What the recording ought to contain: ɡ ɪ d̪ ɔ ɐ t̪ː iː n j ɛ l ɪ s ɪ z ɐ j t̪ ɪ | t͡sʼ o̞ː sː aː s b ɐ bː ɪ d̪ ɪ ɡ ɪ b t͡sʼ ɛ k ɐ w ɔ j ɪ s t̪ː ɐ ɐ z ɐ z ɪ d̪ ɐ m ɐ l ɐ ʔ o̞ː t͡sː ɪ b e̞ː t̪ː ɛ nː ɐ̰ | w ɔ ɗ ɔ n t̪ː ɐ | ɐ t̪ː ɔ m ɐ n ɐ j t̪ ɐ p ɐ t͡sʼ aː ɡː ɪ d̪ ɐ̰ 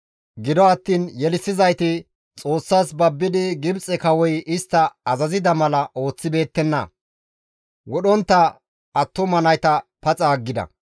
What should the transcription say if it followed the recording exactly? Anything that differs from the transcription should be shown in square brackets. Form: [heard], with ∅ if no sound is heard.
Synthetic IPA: ɡ ɪ d̪ ɔ ɐ t̪ː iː n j ɛ l ɪ s ɪ z ɐ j t̪ ɪ | t͡sʼ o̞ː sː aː s b ɐ bː ɪ d̪ ɪ ɡ ɪ b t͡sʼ ɛ k ɐ w ɔ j ɪ s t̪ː ɐ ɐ z ɐ z ɪ d̪ ɐ m ɐ l ɐ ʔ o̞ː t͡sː ɪ b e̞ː t̪ː ɛ nː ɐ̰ | w ɔ ɗ ɔ n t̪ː ɐ | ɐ t̪ː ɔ m ɐ n ɐ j t̪ ɐ p ɐ t͡sʼ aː ɡː ɪ d̪ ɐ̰